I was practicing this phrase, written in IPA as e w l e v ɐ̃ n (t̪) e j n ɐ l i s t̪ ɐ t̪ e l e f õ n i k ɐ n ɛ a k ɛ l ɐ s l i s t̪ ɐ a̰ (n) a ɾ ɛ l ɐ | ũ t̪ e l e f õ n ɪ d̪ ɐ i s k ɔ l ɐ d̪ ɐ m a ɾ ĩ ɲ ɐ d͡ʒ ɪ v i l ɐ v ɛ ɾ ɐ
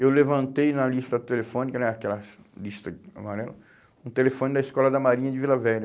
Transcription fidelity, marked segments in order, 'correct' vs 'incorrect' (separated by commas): correct, incorrect